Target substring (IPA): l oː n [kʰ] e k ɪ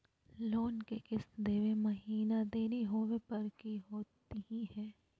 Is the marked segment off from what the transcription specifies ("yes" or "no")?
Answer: yes